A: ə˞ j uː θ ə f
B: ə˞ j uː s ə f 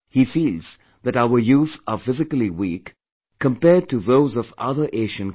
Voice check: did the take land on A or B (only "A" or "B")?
A